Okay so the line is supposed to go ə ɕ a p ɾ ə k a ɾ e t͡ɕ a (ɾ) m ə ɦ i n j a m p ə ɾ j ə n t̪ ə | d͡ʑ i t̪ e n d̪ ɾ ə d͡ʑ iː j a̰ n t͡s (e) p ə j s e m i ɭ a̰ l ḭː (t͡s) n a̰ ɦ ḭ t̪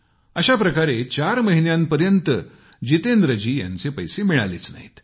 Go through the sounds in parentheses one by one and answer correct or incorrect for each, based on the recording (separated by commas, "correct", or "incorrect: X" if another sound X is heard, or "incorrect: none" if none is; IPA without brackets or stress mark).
correct, correct, correct